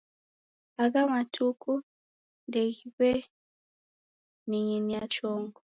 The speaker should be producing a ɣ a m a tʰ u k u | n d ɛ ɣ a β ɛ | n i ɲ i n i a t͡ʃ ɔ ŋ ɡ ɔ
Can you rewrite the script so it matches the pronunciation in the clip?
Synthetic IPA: a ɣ a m a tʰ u k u | n d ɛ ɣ i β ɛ | n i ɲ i n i a t͡ʃ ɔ ŋ ɡ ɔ